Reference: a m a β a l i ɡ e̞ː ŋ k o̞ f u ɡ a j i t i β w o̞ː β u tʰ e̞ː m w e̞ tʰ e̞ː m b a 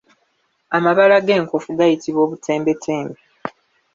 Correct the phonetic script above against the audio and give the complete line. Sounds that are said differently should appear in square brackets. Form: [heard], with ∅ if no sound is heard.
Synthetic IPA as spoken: a m a β a l [a] ɡ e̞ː ŋ k o̞ f u ɡ a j i t i β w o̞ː β u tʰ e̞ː m [b] e̞ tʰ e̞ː m b [e]